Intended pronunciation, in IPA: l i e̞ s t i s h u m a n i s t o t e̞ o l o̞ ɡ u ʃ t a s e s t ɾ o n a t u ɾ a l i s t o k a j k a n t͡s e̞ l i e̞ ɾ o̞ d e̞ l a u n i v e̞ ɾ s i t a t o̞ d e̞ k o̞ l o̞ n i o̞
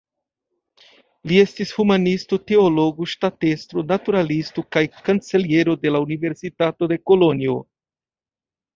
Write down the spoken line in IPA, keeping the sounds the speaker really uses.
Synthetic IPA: l i e̞ s t i s h u m a n i s t o t e̞ o l o̞ ɡ u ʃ t a t e s t ɾ o n a t u ɾ a l i s t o k a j k a n t͡s e̞ l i e̞ ɾ o̞ d e̞ l a u n i v e̞ ɾ s i t a t o̞ d e̞ k o̞ l o̞ n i o̞

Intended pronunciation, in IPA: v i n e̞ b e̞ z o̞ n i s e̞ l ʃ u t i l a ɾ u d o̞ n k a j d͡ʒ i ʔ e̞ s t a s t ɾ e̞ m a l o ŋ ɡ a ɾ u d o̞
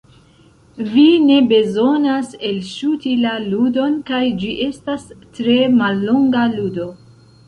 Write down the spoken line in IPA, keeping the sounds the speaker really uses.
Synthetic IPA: v i n e̞ b e̞ z o̞ n a s e̞ l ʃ u t i l a l u d o̞ n k a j d͡ʒ i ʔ e̞ s t a s t ɾ e̞ m a lː o ŋ ɡ a l u d o̞

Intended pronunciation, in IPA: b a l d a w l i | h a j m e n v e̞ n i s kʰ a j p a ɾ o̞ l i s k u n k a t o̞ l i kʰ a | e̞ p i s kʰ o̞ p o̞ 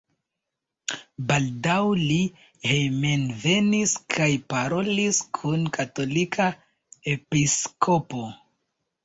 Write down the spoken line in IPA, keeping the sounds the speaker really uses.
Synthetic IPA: b a l d a w l i | h e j m e n v e̞ n i s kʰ a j p a ɾ o̞ l i s kʰ u n k a t o̞ l i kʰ a | e̞ p i s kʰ o̞ p o̞

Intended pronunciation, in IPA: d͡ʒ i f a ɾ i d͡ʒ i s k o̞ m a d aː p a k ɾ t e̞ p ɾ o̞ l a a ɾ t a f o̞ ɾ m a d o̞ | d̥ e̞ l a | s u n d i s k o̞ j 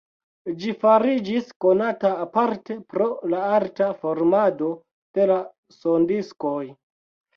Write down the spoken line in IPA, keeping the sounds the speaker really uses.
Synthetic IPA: d͡ʒ i f a ɾ i d͡ʒ i s k o̞ n a t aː p a ɾ t e̞ p ɾ o̞ l a a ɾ t a f o̞ ɾ m a d o̞ | d̥ e̞ l a | s o n d i s k o̞ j

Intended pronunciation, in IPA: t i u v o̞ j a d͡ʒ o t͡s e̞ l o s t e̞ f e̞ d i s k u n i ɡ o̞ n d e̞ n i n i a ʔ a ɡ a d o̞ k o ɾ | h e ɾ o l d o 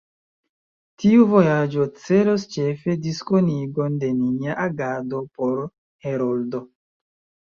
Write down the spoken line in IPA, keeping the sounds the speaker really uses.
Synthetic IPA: t i u v o̞ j a d͡ʒ o t͡s e̞ l o s t͡ʃ e̞ f e̞ d i s k o n i ɡ o̞ n d e̞ n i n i a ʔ a ɡ a d o̞ p o ɾ | h e ɾ o l d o

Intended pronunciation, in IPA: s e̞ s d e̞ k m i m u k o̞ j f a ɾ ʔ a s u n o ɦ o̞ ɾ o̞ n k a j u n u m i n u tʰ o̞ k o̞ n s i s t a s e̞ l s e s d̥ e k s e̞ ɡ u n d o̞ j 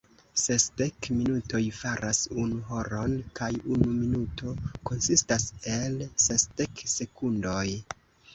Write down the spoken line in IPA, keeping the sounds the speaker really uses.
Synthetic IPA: s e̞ s d e̞ k m i n u t o̞ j f a ɾ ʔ a s u n u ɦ o̞ ɾ o̞ n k a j u n u m i n u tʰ o̞ k o̞ n s i s t a s e̞ l s e s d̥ e k s e̞ k u n d o̞ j

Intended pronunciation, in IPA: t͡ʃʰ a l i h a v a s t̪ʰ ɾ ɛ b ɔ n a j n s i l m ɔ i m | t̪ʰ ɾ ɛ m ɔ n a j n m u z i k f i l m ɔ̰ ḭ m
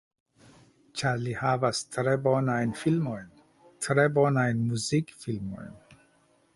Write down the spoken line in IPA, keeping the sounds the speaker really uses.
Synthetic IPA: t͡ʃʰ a l i h a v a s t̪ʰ ɾ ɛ b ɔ n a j n f i l m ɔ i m | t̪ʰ ɾ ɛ b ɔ n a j n m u z i k f i l m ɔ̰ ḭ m

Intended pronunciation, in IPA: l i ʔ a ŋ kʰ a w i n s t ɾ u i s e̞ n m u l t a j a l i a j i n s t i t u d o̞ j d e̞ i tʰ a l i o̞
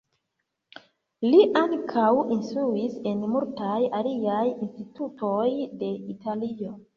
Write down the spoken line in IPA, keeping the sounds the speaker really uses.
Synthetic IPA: l i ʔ a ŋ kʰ a w i n s t ɾ u i s e̞ n m u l t a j a l i a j i n s t i t u t o̞ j d e̞ i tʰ a l i o̞

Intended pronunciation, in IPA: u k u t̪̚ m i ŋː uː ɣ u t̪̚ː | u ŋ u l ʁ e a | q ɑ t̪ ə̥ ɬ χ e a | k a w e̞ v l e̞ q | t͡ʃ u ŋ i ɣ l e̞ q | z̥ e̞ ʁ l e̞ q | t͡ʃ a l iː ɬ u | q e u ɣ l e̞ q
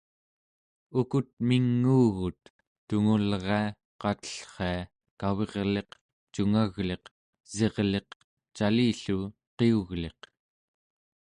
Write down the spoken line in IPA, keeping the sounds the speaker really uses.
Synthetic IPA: u k u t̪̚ m i ŋː uː ɣ u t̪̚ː | u ŋ u l ʁ e a | q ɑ t̪ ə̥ ɬ χ e a | k a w e̞ ʁ l e̞ q | t͡ʃ u ŋ a ɣ l e̞ q | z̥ e̞ ʁ l e̞ q | t͡ʃ a l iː ɬ u | q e u ɣ l e̞ q

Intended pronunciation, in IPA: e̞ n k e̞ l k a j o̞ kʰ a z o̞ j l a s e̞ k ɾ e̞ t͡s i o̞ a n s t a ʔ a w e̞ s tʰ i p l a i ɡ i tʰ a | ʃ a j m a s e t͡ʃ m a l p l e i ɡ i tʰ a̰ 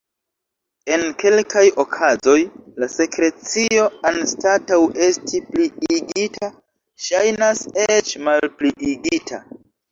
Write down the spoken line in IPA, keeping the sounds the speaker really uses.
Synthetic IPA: e̞ n k e̞ l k a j o̞ kʰ a z o̞ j l a s e̞ k ɾ e̞ t͡s i o̞ a n s t a t a w e̞ s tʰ i p l i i ɡ i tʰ a | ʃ a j n a s e t͡ʃ m a l p l i i ɡ i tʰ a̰

